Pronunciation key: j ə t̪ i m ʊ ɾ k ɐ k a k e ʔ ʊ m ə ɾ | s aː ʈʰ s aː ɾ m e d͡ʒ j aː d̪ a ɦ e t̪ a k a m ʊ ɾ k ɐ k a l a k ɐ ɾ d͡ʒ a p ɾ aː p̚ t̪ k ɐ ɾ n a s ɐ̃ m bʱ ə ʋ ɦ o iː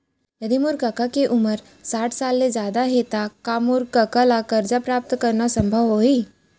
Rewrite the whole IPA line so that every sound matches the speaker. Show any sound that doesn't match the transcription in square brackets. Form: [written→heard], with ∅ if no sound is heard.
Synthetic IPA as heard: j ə [t̪→d̪] i m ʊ ɾ k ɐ k a k e ʔ ʊ m ə ɾ | s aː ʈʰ s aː [ɾ→l] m e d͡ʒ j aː d̪ a ɦ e t̪ a k a m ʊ ɾ k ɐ k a l a k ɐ ɾ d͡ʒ a p ɾ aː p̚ t̪ k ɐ ɾ n a s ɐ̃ m bʱ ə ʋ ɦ o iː